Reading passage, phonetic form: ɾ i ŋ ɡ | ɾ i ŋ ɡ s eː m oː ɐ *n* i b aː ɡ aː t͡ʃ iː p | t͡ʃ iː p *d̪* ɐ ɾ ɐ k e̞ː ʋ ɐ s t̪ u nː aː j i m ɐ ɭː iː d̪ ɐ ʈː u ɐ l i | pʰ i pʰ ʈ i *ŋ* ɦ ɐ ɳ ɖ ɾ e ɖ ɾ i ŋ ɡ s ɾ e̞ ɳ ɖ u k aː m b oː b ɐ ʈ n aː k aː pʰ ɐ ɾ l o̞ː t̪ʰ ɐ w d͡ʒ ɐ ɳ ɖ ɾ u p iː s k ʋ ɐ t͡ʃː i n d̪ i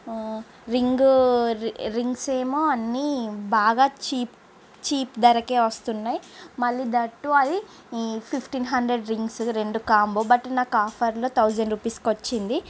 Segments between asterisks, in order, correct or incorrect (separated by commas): incorrect, correct, incorrect